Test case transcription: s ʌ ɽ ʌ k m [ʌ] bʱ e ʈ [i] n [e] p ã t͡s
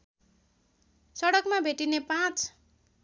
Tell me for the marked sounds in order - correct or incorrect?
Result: incorrect: a, correct, correct

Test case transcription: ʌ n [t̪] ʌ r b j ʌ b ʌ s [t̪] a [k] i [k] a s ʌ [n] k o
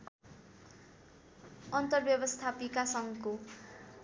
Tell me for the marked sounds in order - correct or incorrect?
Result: correct, incorrect: t̪ʰ, incorrect: p, correct, incorrect: ŋ

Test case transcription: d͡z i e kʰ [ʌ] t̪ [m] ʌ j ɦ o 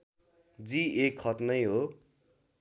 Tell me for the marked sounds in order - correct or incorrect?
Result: correct, incorrect: n

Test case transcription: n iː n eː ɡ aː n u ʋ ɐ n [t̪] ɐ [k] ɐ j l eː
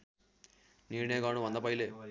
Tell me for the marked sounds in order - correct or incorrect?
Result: incorrect: d̪, incorrect: p

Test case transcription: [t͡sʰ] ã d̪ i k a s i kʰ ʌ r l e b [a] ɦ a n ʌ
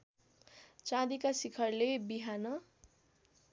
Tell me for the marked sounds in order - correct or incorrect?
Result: incorrect: t͡s, incorrect: i

